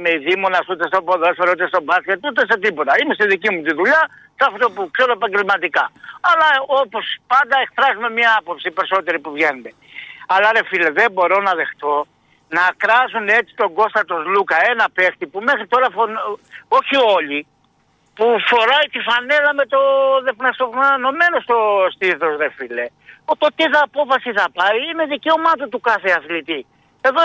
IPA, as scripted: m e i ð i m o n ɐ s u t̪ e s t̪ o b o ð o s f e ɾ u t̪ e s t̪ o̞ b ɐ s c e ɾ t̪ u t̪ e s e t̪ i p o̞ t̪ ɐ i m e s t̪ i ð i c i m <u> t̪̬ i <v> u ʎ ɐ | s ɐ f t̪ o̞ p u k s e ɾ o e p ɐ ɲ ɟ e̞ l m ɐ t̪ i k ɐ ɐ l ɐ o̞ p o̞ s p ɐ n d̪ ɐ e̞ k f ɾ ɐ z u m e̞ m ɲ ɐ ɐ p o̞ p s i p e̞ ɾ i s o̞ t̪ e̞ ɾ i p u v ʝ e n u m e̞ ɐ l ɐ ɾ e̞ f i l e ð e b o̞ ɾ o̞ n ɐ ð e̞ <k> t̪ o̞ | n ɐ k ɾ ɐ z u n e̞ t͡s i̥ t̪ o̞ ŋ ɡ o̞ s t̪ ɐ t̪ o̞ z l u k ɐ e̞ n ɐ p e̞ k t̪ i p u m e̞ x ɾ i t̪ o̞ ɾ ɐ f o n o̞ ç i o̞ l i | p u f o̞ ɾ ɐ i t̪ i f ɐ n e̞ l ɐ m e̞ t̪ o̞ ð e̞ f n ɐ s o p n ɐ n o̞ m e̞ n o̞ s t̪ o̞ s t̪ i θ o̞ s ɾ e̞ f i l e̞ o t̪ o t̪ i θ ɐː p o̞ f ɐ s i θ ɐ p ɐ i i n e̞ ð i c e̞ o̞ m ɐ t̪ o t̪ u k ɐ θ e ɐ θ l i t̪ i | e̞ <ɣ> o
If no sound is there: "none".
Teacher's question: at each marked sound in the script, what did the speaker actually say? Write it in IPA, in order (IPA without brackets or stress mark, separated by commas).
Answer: u, ð, x, ð